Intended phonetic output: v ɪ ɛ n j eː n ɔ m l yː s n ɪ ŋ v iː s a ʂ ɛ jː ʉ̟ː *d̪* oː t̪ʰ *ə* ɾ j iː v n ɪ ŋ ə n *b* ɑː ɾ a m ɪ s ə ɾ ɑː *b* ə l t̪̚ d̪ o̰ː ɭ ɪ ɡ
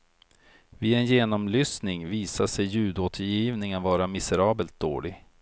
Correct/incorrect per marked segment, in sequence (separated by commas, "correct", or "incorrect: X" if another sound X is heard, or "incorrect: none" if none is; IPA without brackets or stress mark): correct, correct, incorrect: v, correct